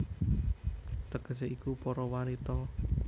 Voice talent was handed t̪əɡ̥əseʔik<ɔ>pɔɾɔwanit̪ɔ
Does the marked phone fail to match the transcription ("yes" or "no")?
yes